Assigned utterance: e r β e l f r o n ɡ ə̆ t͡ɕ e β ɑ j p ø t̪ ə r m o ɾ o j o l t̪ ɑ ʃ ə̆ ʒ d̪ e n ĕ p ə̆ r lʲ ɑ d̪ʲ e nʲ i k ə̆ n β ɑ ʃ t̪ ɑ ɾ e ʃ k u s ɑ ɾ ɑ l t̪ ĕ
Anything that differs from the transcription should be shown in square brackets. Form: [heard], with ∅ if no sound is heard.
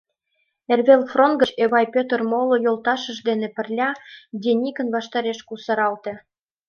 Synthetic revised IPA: e r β e l f r o n ɡ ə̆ t͡ɕ e β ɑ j p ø t̪ ə r m o [l] o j o l t̪ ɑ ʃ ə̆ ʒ d̪ e n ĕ p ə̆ r lʲ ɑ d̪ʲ e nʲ i k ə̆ n β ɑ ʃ t̪ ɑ ɾ e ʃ k u s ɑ ɾ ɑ l t̪ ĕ